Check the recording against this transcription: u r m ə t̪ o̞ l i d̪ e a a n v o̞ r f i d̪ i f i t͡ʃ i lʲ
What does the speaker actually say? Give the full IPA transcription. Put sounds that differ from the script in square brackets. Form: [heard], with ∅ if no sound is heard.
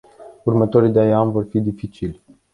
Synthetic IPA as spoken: u r m ə t̪ o̞ [ɾ] i d̪ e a a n v o̞ r f i d̪ i f i t͡ʃ i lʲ